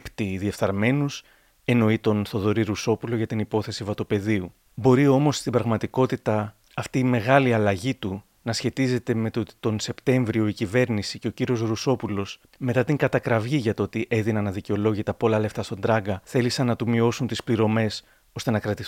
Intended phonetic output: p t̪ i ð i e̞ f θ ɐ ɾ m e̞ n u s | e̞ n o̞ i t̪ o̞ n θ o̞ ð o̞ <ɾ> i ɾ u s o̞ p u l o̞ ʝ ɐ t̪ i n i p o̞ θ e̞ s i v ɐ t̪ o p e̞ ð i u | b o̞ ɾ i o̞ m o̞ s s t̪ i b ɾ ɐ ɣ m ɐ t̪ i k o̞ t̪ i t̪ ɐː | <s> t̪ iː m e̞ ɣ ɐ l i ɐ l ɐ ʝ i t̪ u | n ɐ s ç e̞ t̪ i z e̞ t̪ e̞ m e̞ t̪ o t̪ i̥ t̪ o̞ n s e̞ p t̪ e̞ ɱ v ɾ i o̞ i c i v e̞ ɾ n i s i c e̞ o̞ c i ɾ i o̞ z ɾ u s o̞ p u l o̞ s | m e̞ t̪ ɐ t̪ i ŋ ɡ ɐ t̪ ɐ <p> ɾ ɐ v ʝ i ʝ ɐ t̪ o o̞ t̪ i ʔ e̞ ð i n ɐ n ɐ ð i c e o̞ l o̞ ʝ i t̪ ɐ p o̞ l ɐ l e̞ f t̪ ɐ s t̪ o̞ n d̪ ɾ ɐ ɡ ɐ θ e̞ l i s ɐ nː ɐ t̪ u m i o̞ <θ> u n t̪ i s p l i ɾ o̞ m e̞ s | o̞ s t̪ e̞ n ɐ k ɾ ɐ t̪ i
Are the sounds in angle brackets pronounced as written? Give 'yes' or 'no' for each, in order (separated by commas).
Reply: yes, no, no, no